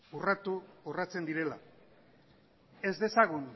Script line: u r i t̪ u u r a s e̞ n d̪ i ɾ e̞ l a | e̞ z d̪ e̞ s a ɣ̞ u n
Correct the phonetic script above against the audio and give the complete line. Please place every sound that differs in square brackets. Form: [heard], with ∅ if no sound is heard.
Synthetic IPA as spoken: u r [a] t̪ u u r a [t͡s] e̞ n d̪ i ɾ e̞ l a | e̞ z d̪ e̞ s a ɣ̞ u n

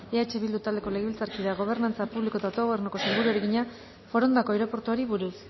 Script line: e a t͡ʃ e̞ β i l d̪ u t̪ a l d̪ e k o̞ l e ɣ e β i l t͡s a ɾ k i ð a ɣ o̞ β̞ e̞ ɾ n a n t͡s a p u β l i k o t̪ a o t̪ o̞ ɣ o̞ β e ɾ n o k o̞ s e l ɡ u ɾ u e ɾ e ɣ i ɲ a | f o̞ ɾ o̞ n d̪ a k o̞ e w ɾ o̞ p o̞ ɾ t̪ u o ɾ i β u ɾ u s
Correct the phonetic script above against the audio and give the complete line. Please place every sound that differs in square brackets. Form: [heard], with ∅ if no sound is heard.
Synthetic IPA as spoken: e a t͡ʃ e̞ β i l d̪ u t̪ a l d̪ e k o̞ l e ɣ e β i l t͡s a ɾ k i ð a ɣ o̞ β̞ e̞ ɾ n a n t͡s a p u β l i k o t̪ a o t̪ o̞ ɣ o̞ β e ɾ n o k o̞ s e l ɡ u ɾ u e ɾ e ɣ i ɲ a | f o̞ ɾ o̞ n d̪ a k o̞ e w ɾ o̞ p o̞ ɾ t̪ u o ɾ i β u ɾ u s

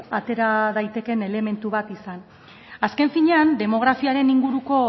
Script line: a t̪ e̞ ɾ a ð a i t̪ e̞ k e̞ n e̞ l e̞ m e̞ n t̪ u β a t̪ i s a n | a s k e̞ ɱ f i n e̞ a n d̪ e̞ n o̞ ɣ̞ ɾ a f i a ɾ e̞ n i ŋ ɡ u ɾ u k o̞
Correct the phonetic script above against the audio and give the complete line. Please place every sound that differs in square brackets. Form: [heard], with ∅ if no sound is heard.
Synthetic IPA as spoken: a t̪ e̞ ɾ a ð a [j] t̪ e̞ k e̞ n e̞ l e̞ m e̞ n t̪ u β a t̪ i s a n | a s k e̞ ɱ f i [ɲ] e̞ a n d̪ e̞ [m] o̞ ɣ̞ ɾ a f i a ɾ e̞ n i ŋ ɡ u ɾ u k o̞

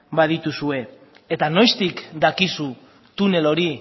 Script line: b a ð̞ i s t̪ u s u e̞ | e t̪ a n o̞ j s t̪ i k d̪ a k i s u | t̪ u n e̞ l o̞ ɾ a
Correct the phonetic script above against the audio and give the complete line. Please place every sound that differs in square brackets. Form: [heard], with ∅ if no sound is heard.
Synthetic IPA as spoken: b a ð̞ i [∅] t̪ u s u e̞ | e t̪ a n o̞ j s t̪ i k d̪ a k i s u | t̪ u n e̞ l o̞ ɾ [i]

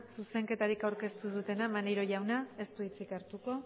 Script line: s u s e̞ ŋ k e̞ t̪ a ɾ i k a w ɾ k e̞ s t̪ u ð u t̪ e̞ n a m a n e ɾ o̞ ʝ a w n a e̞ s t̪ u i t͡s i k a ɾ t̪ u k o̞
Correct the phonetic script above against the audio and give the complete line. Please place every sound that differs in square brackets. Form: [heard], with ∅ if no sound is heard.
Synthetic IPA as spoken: s u s e̞ ŋ k e̞ t̪ a ɾ i k a w ɾ k e̞ s t̪ u ð u t̪ e̞ n a m a n e ɾ o̞ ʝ a w n a e̞ s t̪ u i t͡s i k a ɾ t̪ u k o̞

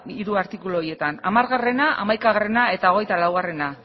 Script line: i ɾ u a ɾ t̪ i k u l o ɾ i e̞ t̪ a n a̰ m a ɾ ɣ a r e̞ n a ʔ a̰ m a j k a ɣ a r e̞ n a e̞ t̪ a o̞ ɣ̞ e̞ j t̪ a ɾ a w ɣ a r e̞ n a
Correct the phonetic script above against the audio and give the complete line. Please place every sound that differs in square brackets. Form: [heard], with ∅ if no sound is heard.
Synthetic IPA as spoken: i ɾ u a ɾ t̪ i k u l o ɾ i e̞ t̪ a n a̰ m a ɾ ɣ a r e̞ n a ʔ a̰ m a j k a ɣ a r e̞ n a e̞ t̪ a o̞ ɣ̞ e̞ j t̪ a [l] a w ɣ a r e̞ n a

